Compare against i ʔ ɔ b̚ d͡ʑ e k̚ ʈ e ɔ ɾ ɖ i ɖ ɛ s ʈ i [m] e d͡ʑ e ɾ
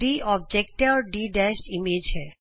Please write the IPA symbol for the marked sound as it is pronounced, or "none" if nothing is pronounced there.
m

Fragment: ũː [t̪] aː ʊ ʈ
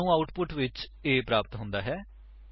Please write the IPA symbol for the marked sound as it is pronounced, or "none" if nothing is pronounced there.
none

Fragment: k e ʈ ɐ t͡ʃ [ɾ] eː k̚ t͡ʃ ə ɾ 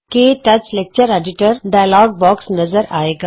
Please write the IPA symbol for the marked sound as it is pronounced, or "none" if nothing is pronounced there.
l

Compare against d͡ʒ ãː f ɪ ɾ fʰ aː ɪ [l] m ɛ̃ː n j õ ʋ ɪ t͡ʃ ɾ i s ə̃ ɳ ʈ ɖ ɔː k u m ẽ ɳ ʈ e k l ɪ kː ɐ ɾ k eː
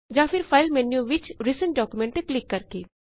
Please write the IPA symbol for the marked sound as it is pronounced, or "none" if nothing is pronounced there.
l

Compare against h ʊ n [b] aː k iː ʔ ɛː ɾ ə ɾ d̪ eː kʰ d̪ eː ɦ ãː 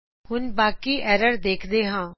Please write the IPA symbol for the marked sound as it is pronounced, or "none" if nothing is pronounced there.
b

